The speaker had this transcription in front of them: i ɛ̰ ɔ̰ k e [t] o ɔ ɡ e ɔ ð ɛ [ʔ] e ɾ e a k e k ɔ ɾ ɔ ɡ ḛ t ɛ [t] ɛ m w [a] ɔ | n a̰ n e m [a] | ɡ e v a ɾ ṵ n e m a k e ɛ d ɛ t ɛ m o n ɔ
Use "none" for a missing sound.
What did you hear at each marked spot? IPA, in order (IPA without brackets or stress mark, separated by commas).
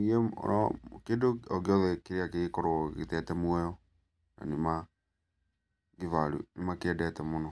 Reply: d, k, t, ɛ, a